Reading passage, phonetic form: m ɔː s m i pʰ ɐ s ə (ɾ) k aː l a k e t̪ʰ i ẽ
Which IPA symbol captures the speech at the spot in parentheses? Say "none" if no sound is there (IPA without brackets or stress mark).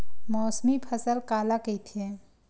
l